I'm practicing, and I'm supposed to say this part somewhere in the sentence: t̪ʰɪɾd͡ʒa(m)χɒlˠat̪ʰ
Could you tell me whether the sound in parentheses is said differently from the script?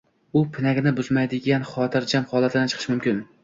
no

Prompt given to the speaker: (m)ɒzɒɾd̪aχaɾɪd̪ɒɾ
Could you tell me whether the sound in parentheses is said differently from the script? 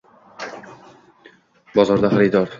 yes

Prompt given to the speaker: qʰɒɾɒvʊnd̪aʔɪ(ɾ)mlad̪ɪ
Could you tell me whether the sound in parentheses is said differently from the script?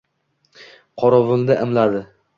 yes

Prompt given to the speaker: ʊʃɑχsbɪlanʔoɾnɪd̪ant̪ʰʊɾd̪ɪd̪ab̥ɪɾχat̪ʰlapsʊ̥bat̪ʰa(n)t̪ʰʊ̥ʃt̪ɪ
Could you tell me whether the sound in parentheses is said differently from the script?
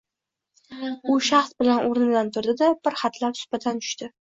no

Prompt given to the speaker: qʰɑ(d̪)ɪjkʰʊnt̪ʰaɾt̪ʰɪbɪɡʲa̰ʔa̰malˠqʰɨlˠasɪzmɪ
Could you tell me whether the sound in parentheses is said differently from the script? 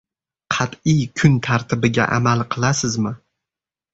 yes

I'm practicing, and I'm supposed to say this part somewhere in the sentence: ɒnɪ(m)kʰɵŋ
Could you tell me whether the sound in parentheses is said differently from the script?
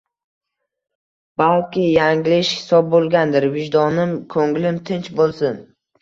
no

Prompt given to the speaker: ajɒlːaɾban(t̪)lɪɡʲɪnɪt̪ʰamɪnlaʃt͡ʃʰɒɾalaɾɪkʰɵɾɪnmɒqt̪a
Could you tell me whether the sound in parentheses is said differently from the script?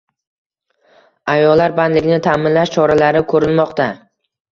yes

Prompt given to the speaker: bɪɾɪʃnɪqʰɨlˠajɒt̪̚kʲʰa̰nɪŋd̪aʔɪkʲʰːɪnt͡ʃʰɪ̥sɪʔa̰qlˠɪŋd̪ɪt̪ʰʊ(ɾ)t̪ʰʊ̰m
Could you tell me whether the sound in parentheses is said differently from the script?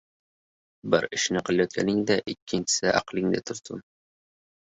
no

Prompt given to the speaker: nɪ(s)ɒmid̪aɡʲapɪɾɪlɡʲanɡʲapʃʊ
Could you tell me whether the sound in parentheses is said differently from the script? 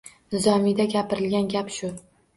yes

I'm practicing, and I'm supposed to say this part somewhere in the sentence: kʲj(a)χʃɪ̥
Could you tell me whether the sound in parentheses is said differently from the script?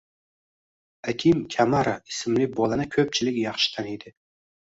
yes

